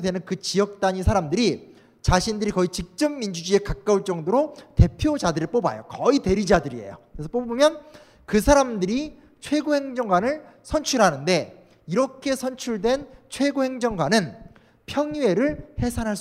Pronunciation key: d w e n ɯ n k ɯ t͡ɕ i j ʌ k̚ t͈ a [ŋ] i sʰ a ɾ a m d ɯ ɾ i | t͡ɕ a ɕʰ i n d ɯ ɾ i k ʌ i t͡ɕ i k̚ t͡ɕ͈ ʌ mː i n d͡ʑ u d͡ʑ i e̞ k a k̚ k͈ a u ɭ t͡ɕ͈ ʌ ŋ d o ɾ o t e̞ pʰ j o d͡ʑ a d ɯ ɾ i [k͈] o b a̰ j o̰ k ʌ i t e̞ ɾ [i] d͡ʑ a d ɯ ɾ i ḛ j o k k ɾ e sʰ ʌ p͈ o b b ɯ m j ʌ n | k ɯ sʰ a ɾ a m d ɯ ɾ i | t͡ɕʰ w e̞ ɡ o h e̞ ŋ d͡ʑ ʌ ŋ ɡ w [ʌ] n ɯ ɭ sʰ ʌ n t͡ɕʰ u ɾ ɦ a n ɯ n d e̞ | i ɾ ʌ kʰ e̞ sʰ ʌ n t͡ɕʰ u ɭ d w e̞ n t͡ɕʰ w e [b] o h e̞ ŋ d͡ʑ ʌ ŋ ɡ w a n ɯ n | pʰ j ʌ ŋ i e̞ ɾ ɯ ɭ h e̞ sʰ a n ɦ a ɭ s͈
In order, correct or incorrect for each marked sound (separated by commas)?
incorrect, incorrect, correct, incorrect, incorrect